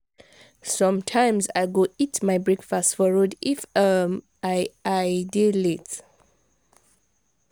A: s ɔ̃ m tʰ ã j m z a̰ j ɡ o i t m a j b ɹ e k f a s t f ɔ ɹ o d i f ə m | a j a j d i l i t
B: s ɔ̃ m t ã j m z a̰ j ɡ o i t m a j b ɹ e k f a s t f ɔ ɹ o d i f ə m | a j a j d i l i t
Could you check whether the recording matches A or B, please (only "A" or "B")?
A